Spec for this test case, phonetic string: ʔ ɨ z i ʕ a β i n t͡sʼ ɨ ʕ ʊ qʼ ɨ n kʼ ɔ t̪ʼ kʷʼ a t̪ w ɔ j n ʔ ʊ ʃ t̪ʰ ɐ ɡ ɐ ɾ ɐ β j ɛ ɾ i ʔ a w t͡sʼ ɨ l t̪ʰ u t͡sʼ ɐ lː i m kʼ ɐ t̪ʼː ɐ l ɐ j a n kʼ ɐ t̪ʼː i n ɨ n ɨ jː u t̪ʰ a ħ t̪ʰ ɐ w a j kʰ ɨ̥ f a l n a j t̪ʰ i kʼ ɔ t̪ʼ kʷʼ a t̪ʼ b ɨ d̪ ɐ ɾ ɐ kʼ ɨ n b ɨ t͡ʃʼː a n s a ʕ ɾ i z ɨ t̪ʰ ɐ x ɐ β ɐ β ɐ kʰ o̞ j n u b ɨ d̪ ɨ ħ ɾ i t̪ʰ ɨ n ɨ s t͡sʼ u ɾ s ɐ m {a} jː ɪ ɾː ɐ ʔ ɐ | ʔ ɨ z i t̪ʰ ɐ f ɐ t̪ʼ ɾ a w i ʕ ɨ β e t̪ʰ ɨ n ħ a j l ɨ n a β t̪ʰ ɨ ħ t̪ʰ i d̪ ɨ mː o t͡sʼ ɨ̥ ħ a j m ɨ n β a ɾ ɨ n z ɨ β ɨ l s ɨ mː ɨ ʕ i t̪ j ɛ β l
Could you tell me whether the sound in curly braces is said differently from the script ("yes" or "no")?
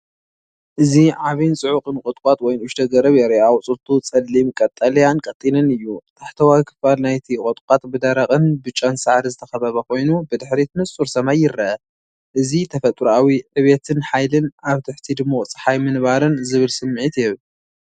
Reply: no